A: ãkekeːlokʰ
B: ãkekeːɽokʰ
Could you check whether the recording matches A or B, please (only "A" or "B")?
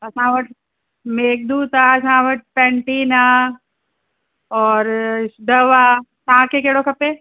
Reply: B